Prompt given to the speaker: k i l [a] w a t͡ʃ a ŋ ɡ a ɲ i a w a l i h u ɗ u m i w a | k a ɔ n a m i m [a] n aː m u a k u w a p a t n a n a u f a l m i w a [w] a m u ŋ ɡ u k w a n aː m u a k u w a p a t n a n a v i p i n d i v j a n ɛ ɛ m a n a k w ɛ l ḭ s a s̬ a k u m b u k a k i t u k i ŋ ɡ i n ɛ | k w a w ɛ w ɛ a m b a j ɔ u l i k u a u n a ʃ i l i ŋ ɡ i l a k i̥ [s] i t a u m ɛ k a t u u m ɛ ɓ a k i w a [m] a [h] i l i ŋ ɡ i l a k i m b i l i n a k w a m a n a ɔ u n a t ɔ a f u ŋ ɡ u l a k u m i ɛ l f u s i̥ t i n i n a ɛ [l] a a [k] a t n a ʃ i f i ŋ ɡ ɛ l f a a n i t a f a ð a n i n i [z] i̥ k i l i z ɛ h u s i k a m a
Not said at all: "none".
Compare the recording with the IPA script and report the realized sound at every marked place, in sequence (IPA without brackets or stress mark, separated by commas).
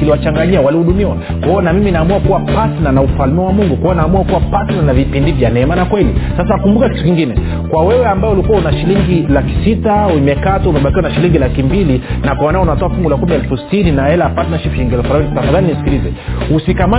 i, i, w, s, n, ʃ, l, p, s